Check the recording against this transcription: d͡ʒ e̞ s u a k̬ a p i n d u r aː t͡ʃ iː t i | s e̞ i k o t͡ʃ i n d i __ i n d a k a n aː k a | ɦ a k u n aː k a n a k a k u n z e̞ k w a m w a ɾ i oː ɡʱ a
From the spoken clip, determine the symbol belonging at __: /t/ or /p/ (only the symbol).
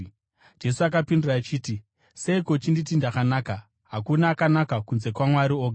t